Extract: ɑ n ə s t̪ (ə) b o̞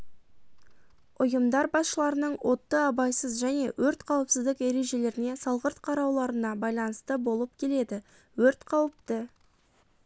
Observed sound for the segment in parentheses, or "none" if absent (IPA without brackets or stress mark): ə